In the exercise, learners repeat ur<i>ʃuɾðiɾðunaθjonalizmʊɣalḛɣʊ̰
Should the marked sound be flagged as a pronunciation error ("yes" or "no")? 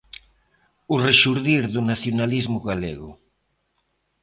yes